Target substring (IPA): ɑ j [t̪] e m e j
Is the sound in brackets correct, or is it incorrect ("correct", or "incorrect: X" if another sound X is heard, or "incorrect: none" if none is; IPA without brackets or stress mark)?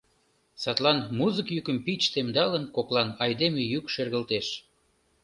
incorrect: d̪